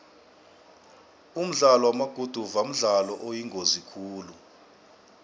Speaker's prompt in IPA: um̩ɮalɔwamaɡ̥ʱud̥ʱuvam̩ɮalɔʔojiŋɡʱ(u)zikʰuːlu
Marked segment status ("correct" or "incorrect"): incorrect